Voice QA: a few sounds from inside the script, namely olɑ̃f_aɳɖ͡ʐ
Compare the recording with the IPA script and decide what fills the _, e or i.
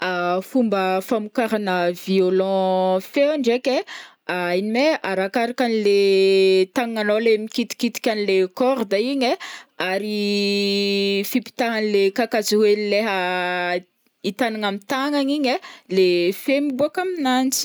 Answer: e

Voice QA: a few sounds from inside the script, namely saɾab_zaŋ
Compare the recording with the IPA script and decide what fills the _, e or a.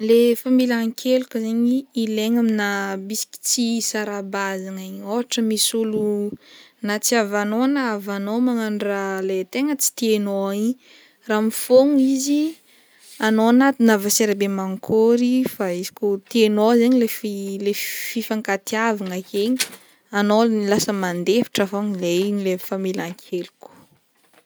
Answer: a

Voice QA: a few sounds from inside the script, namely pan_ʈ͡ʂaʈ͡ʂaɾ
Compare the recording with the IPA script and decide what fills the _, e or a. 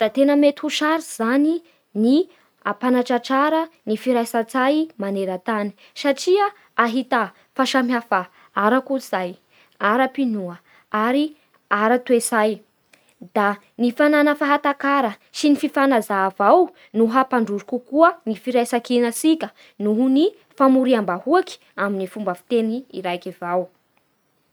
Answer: a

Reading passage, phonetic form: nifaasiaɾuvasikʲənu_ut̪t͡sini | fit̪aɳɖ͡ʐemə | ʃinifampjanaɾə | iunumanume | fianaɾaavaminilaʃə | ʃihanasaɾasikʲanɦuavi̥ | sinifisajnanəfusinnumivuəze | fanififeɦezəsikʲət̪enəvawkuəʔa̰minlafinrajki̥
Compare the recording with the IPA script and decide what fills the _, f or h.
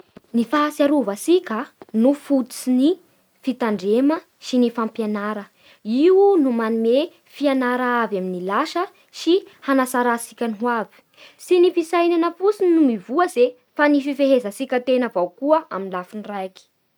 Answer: f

